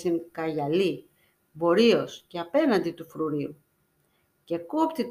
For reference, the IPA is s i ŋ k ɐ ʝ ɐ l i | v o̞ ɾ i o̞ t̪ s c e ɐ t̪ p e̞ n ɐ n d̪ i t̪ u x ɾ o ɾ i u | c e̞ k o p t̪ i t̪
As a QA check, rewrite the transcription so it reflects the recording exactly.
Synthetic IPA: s i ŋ k ɐ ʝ ɐ l i | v o̞ ɾ i o̞ s c e ɐ p e̞ n ɐ n d̪ i t̪ u f ɾ u ɾ i u | c e̞ k o p t̪ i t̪